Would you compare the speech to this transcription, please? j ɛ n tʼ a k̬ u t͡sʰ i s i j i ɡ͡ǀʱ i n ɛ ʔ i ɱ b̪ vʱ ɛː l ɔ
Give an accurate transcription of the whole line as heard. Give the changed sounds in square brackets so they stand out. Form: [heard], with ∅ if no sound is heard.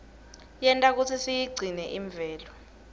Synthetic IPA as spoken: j ɛ n tʼ a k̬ u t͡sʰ i s i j i ɡ͡ǀʱ i n ɛ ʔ i ɱ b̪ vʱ ɛː l ɔ